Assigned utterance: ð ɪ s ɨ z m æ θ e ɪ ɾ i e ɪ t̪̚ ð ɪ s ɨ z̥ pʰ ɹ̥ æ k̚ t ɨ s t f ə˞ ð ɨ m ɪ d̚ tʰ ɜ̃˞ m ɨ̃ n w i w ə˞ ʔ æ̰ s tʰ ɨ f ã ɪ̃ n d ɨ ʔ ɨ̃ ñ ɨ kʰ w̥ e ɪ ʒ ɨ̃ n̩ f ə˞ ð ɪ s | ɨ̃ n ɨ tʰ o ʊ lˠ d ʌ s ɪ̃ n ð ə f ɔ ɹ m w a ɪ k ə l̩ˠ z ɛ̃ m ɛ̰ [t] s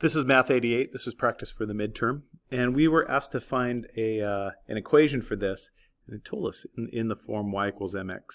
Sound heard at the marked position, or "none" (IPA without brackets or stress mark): k